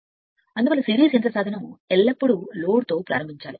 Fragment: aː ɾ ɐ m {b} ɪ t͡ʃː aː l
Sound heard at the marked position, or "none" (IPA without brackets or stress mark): b